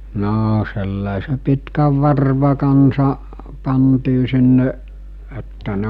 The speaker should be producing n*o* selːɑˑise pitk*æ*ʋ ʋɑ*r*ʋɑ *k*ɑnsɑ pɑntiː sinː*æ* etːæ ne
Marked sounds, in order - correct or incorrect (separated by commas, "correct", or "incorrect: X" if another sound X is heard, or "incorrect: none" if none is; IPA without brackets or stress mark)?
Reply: incorrect: oː, correct, correct, correct, incorrect: e